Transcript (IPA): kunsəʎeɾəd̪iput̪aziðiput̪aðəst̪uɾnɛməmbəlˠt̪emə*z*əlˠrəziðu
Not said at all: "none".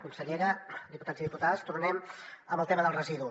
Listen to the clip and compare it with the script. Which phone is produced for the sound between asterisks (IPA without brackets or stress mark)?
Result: ð